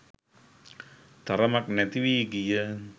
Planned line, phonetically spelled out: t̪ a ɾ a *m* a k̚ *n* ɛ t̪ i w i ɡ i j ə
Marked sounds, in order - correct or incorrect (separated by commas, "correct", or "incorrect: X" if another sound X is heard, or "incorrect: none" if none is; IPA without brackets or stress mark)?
correct, correct